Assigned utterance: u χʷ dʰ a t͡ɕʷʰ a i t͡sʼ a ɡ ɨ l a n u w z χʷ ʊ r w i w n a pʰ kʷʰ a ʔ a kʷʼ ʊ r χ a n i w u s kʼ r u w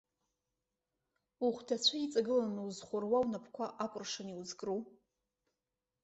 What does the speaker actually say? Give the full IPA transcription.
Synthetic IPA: u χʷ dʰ a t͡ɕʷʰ a i t͡sʼ a ɡ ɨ l a n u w z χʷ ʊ r w a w n a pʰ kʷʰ a ʔ a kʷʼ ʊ r ʂ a n i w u z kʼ r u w